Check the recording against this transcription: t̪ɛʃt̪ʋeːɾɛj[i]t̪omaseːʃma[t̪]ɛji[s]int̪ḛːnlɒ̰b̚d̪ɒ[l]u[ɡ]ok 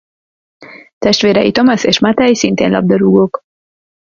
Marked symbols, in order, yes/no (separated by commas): yes, yes, yes, no, yes